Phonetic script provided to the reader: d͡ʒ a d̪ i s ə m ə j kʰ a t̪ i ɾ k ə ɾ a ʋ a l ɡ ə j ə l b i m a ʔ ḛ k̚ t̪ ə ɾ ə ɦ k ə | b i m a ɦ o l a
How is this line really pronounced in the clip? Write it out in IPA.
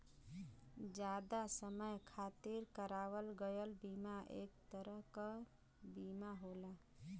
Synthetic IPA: d͡ʒ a d̪ a s ə m ə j kʰ a t̪ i ɾ k ə ɾ a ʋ ə l ɡ ə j ə l b i m a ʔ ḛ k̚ t̪ ə ɾ ə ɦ k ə | b i m a ɦ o l a